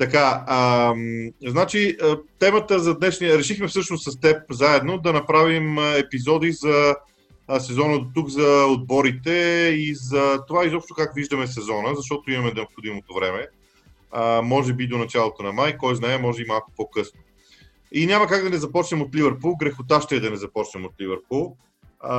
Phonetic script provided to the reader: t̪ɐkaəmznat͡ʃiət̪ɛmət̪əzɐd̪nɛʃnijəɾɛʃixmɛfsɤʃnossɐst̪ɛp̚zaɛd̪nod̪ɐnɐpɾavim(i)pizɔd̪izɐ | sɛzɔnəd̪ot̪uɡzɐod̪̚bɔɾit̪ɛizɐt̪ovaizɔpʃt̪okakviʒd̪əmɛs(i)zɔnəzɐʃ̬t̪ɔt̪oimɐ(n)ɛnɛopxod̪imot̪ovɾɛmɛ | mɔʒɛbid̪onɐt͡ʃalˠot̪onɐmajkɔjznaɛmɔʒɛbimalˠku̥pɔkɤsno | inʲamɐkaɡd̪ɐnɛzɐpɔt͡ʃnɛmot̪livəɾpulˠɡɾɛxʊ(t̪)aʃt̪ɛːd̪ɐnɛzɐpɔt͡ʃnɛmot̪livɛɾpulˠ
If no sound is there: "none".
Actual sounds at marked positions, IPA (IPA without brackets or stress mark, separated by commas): ɛ, ɛ, m, t̪